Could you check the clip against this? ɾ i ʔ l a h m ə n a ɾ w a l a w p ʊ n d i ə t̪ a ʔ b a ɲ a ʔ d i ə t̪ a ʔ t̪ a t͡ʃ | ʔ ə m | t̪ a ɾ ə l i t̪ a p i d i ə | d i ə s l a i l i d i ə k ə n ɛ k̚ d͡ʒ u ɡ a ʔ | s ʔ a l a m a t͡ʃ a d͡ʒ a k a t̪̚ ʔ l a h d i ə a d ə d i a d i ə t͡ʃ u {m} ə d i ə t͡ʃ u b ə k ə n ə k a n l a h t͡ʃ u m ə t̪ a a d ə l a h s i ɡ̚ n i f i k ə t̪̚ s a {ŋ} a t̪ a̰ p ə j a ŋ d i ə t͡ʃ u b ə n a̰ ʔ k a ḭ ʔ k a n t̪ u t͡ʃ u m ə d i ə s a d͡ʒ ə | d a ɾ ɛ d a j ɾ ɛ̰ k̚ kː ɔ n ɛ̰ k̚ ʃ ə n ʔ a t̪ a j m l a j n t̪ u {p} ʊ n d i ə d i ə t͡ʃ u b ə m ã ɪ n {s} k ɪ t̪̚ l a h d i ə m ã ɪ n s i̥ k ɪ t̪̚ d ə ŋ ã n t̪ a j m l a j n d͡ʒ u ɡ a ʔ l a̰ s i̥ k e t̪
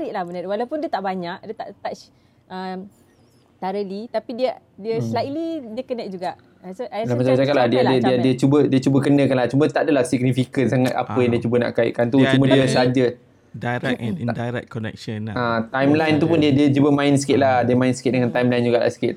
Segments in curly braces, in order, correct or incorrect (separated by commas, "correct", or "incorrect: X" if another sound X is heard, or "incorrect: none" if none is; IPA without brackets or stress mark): incorrect: b, correct, correct, correct